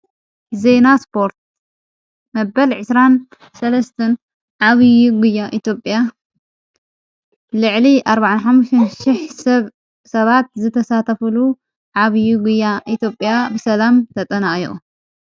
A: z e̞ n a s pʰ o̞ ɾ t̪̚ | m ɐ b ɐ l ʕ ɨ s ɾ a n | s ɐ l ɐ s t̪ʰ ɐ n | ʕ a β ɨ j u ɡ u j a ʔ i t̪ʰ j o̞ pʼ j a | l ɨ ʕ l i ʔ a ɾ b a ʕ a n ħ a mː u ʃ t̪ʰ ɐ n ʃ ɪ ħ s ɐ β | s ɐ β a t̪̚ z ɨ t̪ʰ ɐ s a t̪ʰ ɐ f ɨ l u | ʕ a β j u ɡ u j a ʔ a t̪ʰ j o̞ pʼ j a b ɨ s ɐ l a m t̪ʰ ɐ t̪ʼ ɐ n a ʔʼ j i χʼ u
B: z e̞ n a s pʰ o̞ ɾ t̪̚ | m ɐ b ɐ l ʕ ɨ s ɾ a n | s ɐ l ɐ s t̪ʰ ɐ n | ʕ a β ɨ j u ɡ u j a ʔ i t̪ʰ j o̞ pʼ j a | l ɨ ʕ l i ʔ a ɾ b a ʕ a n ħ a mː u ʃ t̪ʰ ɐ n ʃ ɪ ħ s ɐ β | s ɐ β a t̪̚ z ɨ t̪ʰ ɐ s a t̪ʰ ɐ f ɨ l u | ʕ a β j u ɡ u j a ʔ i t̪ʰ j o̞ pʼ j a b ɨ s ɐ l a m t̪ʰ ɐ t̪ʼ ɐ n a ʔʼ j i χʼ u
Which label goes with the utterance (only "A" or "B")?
B